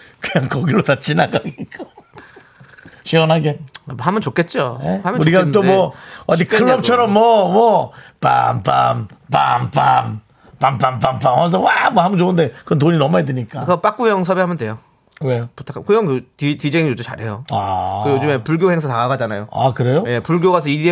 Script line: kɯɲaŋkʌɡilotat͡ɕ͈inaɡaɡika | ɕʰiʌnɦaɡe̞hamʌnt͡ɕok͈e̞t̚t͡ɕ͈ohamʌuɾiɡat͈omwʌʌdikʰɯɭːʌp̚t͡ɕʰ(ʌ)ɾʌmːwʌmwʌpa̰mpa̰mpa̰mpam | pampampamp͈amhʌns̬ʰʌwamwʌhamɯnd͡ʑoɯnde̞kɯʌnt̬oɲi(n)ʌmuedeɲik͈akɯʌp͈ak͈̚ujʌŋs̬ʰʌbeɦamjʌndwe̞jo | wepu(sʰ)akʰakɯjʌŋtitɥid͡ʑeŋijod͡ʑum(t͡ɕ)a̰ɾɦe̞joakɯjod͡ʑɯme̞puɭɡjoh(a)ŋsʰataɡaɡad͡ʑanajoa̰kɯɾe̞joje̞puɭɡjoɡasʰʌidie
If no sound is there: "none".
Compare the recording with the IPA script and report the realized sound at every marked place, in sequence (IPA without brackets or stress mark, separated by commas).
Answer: ʌ, n, tʰ, t͡ɕ, e